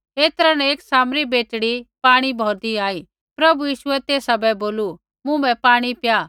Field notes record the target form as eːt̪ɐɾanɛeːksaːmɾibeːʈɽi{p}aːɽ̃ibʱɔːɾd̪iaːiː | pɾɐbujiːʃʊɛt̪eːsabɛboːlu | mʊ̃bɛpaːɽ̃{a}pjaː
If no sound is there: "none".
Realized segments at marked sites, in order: p, i

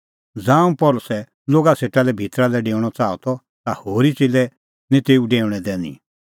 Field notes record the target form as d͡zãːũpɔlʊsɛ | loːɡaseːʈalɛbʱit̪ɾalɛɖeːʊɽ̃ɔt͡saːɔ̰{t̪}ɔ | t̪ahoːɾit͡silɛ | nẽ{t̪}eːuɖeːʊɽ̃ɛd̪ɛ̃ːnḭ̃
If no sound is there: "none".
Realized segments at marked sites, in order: t̪, t̪

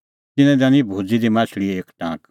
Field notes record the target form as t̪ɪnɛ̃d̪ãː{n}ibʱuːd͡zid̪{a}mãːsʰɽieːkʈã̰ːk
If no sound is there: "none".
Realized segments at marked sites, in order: n, i

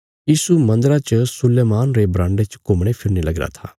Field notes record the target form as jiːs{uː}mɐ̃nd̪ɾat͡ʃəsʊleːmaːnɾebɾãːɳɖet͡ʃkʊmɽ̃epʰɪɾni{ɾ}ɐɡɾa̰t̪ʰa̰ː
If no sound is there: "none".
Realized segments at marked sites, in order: u, l

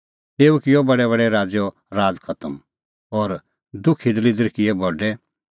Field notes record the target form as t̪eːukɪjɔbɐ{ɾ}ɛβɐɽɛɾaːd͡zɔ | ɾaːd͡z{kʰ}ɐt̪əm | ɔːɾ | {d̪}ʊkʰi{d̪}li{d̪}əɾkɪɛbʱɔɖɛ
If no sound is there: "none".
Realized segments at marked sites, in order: ɽ, kʰ, d̪, d̪, d̪

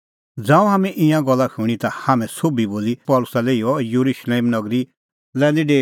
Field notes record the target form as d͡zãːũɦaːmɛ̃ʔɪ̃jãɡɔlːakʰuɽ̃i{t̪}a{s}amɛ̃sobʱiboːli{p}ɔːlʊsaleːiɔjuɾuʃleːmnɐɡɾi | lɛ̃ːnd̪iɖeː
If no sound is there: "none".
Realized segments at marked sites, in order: t̪, h, p

